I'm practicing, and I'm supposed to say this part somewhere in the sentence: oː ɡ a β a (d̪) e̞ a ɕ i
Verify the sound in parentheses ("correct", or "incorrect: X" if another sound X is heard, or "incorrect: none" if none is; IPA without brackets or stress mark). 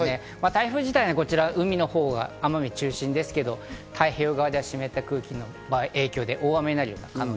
correct